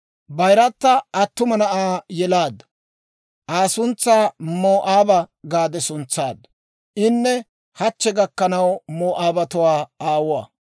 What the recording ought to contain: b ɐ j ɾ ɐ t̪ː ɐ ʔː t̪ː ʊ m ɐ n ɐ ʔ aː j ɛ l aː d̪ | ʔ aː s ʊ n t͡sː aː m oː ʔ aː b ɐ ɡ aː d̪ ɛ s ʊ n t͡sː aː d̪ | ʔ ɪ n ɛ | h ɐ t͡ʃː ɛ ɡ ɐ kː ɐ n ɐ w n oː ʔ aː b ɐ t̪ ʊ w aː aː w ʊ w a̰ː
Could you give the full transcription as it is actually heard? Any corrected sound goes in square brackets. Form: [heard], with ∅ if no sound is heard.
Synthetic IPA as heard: b ɐ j ɾ ɐ t̪ː ɐ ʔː t̪ː ʊ m ɐ n ɐ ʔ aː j ɛ l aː d̪ | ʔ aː s ʊ n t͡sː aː m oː ʔ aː b ɐ ɡ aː d̪ ɛ s ʊ n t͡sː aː d̪ | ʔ ɪ [nː] ɛ | h ɐ t͡ʃː ɛ ɡ ɐ kː ɐ n ɐ w [m] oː ʔ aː b ɐ t̪ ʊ w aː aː w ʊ w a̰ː